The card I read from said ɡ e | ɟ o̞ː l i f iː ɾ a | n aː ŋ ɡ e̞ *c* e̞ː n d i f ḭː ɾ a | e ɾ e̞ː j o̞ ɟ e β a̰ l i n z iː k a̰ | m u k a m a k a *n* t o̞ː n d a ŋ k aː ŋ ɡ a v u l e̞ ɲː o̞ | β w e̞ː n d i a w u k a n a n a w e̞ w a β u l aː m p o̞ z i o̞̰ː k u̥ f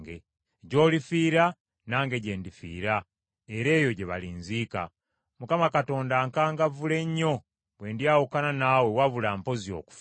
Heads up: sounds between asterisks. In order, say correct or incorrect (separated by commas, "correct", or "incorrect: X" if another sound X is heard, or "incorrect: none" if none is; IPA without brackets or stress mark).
incorrect: ɟ, incorrect: none